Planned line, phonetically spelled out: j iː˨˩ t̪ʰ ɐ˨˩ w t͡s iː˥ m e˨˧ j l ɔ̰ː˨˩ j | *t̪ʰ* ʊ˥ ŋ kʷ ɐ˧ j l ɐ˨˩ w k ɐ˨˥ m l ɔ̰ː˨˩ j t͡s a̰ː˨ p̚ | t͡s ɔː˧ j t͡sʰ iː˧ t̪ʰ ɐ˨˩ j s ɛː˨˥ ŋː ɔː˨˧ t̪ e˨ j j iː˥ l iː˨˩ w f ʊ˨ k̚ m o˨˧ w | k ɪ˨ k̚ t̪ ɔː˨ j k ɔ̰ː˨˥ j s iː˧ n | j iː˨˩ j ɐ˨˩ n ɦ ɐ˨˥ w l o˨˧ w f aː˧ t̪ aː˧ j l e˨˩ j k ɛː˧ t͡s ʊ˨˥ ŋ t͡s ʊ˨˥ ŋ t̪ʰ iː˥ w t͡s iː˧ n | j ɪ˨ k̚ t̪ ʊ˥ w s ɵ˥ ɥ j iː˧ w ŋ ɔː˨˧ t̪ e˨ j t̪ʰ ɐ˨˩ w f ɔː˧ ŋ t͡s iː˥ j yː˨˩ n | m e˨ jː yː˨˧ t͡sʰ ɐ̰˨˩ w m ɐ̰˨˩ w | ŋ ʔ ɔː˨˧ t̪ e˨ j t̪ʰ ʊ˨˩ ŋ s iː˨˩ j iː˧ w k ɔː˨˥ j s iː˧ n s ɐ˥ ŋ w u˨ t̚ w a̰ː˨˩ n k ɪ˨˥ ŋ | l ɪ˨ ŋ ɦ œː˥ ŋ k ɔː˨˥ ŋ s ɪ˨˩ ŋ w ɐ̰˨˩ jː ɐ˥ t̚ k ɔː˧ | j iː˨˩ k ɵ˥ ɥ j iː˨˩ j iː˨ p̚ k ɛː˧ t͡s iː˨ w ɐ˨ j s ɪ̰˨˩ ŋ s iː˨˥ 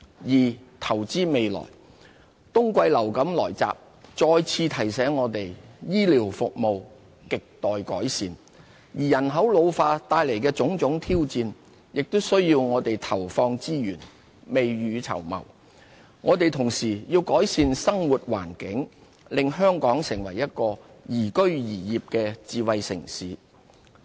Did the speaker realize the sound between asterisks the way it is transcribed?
no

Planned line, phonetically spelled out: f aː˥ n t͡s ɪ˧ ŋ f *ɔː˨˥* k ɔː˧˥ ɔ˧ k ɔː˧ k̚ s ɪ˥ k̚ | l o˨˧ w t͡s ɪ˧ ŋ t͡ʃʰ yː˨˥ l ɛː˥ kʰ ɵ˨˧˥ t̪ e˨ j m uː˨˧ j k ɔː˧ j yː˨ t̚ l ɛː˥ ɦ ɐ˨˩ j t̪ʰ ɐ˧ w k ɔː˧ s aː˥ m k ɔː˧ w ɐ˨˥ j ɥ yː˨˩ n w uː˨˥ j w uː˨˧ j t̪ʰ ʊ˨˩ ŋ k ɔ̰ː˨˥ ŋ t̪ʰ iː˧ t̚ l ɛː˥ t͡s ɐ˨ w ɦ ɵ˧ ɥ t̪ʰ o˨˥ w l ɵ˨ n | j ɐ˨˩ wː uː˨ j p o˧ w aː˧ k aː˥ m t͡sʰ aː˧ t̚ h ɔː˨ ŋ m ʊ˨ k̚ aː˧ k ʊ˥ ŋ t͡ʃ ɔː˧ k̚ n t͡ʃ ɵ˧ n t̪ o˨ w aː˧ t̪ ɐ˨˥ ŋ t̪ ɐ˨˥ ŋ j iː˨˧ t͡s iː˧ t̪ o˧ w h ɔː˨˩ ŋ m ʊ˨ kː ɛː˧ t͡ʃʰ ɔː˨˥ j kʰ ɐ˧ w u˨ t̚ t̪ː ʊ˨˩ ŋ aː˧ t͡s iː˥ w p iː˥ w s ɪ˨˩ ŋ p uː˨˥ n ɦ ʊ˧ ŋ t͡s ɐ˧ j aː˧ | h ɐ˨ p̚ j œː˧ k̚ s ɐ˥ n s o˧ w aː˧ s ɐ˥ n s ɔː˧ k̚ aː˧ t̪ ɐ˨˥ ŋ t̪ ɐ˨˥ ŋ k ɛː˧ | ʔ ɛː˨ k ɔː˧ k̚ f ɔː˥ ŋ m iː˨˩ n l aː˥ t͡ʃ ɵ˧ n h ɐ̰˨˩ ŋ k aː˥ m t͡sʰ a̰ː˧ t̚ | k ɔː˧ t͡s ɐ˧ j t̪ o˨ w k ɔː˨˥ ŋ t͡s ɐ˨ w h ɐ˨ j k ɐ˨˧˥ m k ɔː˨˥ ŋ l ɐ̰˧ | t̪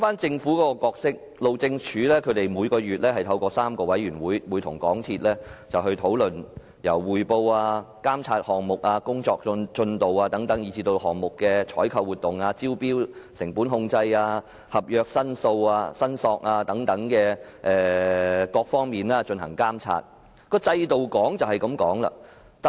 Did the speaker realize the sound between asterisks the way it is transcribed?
no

